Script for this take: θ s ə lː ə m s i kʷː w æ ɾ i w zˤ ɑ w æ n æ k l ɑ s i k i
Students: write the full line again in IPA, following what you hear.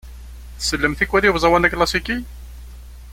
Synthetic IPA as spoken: θ s ə lː ə m θ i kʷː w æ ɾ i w zˤ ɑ w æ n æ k l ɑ s i k i